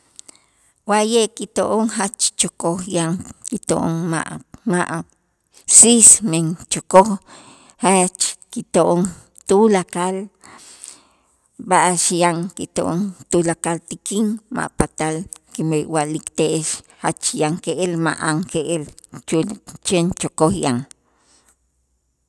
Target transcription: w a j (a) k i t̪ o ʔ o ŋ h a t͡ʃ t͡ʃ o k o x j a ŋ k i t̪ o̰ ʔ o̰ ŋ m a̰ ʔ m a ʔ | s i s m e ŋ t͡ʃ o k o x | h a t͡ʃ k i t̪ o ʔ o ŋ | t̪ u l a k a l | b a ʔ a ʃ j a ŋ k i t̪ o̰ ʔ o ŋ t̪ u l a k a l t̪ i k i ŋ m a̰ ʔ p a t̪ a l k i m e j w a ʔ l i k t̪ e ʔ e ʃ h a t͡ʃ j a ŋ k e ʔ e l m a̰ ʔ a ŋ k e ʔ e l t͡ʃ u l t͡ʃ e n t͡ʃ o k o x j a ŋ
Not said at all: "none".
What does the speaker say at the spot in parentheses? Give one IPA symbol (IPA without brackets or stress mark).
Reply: e